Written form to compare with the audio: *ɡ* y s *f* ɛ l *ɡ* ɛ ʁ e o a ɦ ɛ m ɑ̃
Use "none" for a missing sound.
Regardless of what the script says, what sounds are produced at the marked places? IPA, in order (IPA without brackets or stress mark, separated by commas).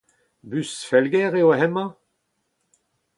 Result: b, f, ɡ